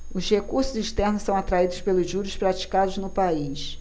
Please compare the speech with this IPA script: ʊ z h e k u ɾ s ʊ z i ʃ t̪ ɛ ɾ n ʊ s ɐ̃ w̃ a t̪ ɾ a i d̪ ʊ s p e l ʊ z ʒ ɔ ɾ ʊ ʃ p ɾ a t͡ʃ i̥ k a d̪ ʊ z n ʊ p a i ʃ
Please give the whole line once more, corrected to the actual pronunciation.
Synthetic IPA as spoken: ʊ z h e k u ɾ s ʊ z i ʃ t̪ ɛ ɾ n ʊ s ɐ̃ w̃ a t̪ ɾ a i d̪ ʊ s p e l ʊ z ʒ u ɾ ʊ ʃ p ɾ a t͡ʃ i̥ k a d̪ ʊ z n ʊ p a i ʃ